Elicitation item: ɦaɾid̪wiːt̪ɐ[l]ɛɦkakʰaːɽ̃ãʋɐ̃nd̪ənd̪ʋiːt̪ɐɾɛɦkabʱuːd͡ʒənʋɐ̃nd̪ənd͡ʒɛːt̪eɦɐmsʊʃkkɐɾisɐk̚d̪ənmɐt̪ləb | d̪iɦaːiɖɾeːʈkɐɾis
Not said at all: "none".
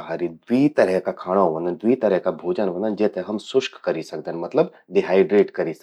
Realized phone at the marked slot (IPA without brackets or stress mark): ɾ